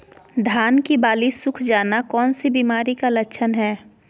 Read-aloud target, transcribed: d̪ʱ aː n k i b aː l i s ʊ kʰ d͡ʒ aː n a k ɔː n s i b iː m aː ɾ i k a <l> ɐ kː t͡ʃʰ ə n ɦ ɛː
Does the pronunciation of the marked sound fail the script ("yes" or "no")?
no